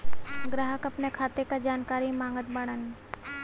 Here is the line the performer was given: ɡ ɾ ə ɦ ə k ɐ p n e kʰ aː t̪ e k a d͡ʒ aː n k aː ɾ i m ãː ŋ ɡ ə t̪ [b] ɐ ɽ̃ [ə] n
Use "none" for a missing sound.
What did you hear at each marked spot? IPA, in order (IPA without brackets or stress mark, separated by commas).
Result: b, ə